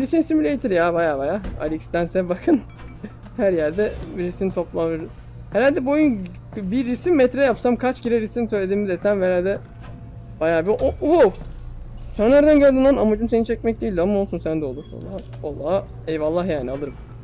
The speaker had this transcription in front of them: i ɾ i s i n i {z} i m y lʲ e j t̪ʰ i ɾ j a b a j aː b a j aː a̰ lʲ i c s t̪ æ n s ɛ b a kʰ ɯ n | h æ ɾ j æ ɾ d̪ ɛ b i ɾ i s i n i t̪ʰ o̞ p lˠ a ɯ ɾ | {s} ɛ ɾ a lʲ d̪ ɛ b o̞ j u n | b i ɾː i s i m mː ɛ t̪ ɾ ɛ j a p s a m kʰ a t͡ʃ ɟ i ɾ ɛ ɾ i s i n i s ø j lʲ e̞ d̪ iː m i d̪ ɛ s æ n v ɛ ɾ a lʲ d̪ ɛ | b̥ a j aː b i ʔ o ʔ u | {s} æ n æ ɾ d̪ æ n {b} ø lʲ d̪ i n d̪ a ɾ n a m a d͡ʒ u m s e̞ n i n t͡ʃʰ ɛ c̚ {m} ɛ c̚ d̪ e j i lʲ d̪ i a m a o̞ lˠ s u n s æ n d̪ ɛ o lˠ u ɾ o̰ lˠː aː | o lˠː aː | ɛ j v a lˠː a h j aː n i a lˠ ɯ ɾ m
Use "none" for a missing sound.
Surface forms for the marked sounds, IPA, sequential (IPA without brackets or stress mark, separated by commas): s, h, s, ɟ, m